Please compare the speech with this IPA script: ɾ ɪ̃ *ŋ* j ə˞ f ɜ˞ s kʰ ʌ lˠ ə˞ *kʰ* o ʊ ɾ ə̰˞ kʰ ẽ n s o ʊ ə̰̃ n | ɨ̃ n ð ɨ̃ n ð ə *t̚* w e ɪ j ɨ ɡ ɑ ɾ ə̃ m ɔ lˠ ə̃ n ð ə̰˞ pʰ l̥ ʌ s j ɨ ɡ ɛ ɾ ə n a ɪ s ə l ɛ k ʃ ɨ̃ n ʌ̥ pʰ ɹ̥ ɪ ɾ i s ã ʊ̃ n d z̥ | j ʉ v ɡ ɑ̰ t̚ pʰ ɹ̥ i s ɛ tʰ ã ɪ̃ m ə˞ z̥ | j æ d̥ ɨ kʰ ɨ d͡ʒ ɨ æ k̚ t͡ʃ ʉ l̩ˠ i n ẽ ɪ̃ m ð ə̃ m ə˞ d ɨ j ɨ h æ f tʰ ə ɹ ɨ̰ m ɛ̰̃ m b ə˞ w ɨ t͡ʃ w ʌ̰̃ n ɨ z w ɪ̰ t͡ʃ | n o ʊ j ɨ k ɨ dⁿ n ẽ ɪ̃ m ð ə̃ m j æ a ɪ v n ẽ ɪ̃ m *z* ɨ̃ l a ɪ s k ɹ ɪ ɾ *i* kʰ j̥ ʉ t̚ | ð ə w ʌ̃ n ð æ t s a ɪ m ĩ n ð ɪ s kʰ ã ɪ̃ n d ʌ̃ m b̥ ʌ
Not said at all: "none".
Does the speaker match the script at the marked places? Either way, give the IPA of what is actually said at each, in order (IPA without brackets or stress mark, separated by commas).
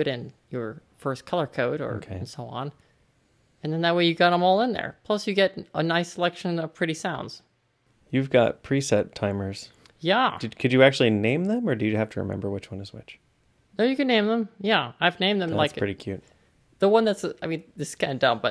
n, kʰ, t̚, ð, i